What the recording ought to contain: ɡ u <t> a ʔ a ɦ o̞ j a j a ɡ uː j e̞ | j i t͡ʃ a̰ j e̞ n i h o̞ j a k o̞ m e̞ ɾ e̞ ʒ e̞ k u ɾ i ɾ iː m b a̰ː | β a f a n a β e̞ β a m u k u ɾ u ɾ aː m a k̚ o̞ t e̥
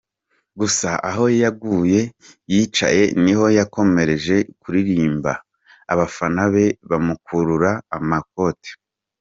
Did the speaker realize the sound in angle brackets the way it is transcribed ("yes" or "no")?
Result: no